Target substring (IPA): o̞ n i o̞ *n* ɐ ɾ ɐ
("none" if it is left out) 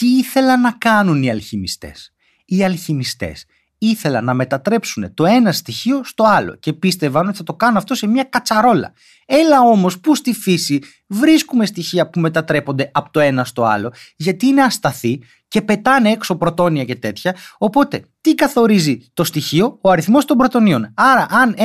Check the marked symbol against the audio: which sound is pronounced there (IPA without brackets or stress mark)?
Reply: n